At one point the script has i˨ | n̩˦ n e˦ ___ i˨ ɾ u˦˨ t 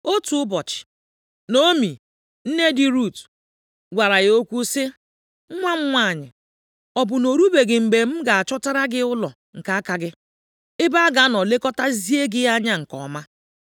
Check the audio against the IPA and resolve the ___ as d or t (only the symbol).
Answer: d